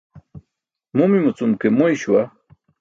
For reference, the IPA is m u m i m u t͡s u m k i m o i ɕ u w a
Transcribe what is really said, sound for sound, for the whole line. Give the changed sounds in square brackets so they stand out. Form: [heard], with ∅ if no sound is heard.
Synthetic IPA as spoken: m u m i m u t͡s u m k [e] m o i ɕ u w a